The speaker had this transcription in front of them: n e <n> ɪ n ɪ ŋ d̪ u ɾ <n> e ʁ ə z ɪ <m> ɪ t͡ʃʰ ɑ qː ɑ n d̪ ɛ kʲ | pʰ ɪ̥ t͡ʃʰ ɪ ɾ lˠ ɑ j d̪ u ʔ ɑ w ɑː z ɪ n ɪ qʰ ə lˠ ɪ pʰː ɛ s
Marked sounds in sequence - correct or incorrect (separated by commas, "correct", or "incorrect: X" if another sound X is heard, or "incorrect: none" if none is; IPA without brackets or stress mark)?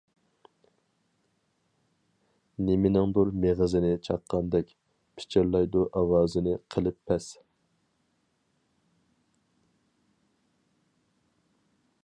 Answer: incorrect: m, incorrect: m, incorrect: n